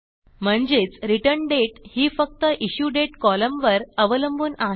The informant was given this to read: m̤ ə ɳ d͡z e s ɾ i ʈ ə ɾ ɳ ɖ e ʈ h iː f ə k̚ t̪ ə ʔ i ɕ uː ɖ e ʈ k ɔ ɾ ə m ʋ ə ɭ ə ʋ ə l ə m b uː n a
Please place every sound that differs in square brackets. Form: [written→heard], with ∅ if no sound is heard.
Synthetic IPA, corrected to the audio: m̤ ə ɳ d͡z e [s→t͡s] ɾ i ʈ ə ɾ ɳ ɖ e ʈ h iː f ə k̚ t̪ ə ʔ i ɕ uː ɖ e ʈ k ɔ [ɾ→l] ə m ʋ ə [ɭ→ɾ] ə ʋ ə l ə m b uː n a